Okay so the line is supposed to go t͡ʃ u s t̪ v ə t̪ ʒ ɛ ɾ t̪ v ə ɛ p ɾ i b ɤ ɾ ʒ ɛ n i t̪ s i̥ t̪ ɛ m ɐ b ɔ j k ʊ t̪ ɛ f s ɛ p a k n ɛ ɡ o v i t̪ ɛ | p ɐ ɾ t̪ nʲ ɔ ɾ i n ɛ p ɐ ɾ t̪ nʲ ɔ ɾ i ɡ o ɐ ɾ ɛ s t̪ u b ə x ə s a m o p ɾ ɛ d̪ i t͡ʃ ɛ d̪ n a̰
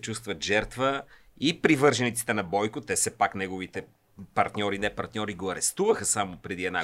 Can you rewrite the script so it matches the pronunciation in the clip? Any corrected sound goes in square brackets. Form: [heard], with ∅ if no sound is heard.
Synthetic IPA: t͡ʃ u s t̪ v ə t̪ ʒ ɛ ɾ t̪ v ə [i] p ɾ i [v] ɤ ɾ ʒ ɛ n i t̪ s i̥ t̪ ɛ [n] ɐ b ɔ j k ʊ t̪ ɛ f s ɛ p a k n ɛ ɡ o v i t̪ ɛ | p ɐ ɾ t̪ nʲ ɔ ɾ i n ɛ p ɐ ɾ t̪ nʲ ɔ ɾ i ɡ o ɐ ɾ ɛ s t̪ u [v] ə x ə s a m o p ɾ ɛ d̪ i [∅] ɛ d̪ n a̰